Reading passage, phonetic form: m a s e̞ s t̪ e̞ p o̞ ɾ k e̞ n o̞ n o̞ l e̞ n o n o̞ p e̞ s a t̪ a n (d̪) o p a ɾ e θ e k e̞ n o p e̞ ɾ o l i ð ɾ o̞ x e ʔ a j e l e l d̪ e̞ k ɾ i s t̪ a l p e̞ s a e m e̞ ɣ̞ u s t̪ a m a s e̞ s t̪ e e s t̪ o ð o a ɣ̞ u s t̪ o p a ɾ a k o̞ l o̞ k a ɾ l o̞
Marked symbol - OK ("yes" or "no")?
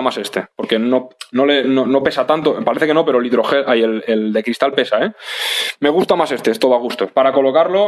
no